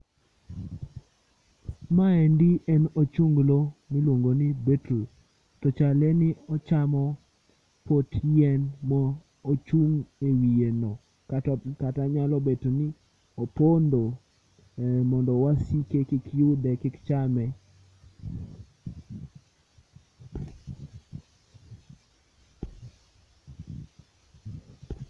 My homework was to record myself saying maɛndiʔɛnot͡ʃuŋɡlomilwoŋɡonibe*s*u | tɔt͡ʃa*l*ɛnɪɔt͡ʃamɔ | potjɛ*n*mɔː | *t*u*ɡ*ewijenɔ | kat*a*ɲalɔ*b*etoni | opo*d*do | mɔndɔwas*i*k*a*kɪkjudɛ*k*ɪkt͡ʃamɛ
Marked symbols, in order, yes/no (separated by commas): no, yes, yes, no, no, yes, yes, no, yes, no, yes